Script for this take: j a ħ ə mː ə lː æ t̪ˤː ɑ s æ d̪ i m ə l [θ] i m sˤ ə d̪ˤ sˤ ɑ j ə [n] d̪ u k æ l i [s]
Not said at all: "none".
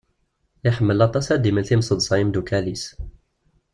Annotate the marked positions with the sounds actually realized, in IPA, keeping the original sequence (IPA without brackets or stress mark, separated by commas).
θ, m, s